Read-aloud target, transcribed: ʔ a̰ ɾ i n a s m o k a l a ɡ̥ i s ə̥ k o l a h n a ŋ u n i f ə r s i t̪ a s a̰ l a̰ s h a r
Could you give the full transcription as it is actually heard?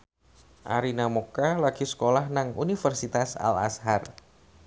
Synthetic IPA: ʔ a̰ ɾ i n a m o k a l a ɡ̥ i s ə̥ k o l a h n a ŋ u n i f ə r s i t̪ a s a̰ l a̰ s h a r